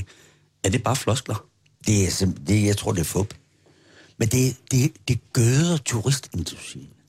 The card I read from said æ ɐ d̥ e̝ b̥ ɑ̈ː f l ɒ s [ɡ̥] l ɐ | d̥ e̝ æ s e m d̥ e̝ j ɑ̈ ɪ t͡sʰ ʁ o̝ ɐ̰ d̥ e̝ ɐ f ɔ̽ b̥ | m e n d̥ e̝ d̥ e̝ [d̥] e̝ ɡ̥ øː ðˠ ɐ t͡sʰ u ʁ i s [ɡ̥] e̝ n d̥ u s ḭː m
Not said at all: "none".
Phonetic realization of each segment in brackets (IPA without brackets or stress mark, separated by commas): ɡ̥, d̥, d̥